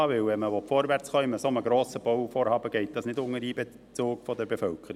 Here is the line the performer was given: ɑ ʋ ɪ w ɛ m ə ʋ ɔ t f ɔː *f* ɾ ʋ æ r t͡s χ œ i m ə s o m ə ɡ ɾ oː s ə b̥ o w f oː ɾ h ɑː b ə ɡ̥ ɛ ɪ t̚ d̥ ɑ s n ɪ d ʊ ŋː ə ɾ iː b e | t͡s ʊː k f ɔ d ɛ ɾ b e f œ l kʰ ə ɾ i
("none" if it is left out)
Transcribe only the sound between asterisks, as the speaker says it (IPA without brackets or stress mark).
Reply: none